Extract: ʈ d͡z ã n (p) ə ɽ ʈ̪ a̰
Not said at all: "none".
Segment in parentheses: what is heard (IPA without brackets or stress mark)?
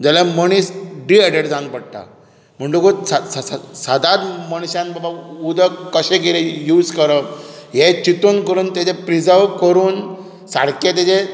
p